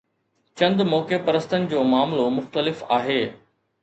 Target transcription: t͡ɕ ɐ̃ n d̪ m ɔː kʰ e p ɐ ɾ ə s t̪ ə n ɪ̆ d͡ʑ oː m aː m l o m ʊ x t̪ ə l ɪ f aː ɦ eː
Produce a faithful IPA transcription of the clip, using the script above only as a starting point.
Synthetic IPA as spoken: t͡ɕ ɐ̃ n d̪ m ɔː k e p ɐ ɾ ə s t̪ ə n ɪ̆ d͡ʑ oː m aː m l o m ʊ x t̪ ə l ɪ f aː ɦ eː